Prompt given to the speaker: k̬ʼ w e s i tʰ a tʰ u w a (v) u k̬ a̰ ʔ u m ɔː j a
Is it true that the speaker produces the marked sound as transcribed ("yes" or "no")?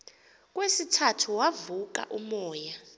yes